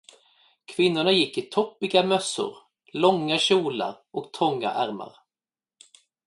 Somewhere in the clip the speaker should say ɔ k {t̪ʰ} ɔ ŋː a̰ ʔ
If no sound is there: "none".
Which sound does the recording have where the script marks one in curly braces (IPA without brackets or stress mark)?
t̪ʰ